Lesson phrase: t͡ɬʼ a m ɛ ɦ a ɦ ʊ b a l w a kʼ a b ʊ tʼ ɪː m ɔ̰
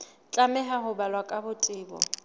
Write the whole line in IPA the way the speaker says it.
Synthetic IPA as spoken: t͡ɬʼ a m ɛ ɦ a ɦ ʊ b a l w a kʼ a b ʊ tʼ ɪː b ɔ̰